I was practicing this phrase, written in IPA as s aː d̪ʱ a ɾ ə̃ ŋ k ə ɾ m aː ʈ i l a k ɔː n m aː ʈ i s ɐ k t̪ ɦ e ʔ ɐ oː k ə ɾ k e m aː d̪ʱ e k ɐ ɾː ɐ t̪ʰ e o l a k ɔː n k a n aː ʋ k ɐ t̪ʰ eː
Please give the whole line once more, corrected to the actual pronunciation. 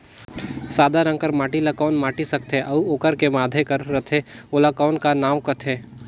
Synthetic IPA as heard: s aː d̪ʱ a ɾ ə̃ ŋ k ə ɾ m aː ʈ i l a k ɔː n m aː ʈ i s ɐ k t̪ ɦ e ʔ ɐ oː k ə ɾ k e m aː d̪ʱ e k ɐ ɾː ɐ t̪ʰ e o l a k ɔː n k a n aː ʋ k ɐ t̪ʰ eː